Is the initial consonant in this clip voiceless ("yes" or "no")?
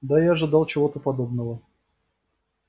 no